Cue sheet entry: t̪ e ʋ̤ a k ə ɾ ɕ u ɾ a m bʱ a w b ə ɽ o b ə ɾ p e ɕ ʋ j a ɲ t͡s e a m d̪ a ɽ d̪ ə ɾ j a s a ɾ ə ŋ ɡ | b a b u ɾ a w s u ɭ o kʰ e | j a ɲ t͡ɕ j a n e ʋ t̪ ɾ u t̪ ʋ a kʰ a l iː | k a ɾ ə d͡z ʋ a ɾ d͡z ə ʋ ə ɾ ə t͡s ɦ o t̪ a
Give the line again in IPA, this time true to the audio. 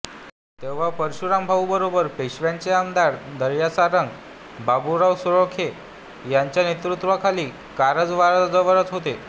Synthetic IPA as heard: t̪ e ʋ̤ a p ə ɾ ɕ u ɾ a m bʱ a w b ə ɾ o b ə ɾ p e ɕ ʋ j a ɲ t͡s e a m d̪ a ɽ d̪ ə ɾ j a s a ɾ ə ŋ ɡ | b a b u ɾ a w s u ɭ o kʰ e | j a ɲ t͡ɕ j a n e t̪ ɾ u t̪ ʋ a kʰ a l iː | k a ɾ ə d͡z ʋ a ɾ d͡z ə ʋ ə ɾ ə t͡s ɦ o t̪ e